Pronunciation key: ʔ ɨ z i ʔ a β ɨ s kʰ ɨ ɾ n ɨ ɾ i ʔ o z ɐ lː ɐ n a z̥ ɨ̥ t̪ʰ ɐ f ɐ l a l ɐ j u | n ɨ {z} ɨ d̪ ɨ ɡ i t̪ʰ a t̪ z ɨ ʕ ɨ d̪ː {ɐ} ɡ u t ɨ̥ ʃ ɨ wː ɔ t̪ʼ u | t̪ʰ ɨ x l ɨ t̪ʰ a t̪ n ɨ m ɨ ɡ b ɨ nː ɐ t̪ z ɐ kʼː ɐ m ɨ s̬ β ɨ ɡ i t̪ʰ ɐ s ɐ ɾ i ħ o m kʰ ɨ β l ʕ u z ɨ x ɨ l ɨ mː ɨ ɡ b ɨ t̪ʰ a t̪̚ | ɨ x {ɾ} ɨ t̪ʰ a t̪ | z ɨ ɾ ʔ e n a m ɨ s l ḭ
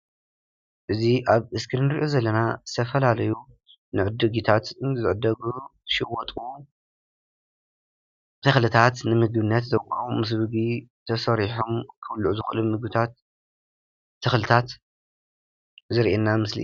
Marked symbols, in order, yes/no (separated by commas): no, yes, no